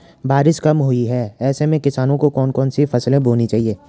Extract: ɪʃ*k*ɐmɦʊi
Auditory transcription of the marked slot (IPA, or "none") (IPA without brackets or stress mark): k